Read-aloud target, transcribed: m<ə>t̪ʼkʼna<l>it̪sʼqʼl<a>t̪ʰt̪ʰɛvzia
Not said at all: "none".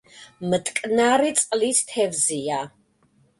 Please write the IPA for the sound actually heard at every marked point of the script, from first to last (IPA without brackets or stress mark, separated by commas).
ə, ɾ, i